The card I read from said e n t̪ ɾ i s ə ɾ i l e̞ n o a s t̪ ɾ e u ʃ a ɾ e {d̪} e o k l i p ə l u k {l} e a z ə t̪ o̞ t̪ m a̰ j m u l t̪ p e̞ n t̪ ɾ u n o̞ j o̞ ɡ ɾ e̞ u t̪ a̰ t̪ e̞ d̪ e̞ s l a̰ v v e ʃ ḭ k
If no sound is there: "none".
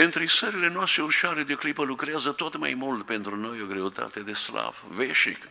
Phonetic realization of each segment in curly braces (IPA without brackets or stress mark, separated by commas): d̪, ɾ